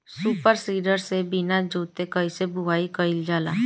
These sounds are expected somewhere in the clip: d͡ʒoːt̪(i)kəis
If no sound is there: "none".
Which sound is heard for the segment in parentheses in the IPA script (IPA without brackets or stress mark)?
e